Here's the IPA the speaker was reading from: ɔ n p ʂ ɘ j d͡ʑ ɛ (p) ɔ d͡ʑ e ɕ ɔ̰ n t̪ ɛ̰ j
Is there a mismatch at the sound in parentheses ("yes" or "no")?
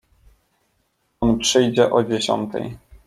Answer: yes